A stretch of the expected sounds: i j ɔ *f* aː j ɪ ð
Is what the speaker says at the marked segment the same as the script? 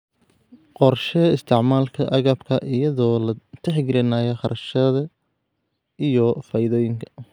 yes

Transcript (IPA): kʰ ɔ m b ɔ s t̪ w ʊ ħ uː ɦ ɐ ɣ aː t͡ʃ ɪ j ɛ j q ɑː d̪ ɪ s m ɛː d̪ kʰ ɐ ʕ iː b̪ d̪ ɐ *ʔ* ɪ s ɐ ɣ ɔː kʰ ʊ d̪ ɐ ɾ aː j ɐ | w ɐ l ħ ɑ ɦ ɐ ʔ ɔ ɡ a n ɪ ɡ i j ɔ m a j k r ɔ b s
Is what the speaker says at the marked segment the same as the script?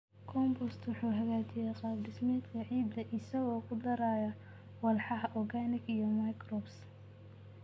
yes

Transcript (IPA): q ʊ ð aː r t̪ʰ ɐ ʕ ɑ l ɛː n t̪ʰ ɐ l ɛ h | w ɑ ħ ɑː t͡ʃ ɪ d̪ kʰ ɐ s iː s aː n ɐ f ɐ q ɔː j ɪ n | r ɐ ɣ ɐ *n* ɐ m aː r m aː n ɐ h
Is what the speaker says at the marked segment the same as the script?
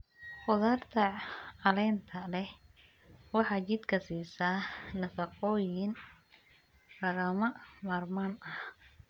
no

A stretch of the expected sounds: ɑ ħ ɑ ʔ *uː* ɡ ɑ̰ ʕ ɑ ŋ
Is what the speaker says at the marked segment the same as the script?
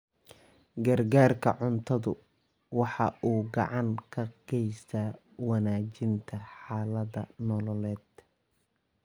yes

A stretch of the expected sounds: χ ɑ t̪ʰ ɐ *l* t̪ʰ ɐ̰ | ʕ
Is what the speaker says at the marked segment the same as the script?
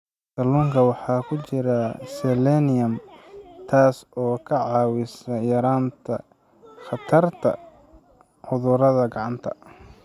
no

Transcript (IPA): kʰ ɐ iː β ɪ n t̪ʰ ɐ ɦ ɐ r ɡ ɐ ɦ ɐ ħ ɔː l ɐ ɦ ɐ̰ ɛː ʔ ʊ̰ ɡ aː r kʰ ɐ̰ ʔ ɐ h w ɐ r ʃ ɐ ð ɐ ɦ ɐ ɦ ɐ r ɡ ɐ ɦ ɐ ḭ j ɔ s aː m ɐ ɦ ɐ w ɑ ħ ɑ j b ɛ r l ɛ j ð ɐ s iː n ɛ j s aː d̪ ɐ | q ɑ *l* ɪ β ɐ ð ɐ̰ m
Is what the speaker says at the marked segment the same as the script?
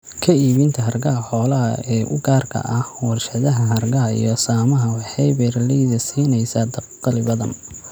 yes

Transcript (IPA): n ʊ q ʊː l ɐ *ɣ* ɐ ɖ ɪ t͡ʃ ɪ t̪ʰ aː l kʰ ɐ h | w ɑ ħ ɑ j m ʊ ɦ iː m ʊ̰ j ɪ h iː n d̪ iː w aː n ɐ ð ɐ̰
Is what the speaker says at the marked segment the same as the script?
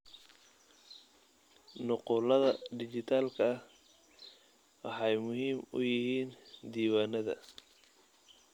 no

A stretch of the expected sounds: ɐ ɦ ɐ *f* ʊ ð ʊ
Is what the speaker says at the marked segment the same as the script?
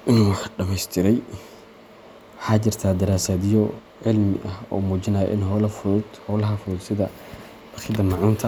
yes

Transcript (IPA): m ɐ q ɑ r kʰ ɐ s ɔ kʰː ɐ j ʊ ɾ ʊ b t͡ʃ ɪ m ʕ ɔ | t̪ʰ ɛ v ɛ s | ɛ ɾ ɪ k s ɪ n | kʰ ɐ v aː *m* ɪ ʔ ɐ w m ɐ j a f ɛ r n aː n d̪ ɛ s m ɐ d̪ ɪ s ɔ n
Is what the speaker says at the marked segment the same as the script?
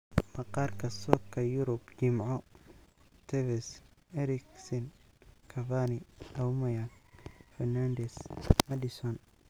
no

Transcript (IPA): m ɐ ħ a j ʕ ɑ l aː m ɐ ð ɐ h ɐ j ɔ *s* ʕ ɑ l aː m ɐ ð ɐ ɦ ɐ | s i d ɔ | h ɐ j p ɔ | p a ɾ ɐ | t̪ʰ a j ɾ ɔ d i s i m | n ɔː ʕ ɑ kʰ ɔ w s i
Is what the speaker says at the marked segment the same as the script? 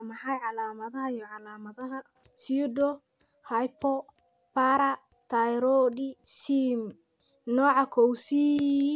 no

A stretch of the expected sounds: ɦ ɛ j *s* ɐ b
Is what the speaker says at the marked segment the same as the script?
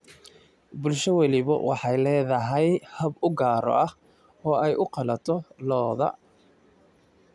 no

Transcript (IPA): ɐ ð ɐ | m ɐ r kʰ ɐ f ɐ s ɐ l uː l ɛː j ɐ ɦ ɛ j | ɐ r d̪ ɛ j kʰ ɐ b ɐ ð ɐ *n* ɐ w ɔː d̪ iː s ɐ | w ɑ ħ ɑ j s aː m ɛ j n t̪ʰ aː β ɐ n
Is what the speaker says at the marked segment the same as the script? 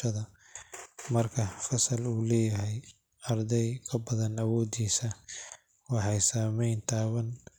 yes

